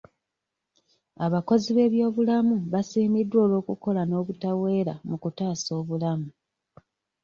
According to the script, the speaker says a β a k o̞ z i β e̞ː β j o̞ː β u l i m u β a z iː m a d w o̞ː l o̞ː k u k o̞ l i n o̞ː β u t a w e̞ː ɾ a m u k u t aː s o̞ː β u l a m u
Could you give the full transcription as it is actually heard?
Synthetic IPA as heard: a β a k o̞ z i β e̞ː β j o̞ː β u l a m u β a s iː m i d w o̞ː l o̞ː k u k o̞ l a n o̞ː β u t a w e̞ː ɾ a m u k u t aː s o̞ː β u l a m u